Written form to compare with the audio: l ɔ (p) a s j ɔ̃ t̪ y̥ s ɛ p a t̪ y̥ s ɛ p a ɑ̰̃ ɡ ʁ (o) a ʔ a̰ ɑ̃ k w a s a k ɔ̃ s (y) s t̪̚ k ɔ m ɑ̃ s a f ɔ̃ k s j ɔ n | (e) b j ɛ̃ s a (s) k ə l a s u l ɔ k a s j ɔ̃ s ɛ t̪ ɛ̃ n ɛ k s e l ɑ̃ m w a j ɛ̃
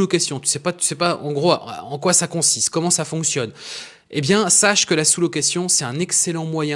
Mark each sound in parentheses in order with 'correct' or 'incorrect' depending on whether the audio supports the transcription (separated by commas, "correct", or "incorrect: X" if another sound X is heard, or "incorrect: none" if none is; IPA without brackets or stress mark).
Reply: incorrect: k, correct, incorrect: i, correct, incorrect: ʃ